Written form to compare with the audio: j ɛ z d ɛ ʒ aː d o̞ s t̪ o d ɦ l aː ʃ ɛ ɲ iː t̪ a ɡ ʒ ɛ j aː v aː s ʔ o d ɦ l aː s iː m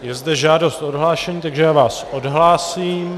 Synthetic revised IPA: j ɛ z d ɛ ʒ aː d o̞ s t̪ o d ɦ l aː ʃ ɛ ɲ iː t̪ a ɡ ʒ ɛ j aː v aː s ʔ o d ɦ l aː s iː m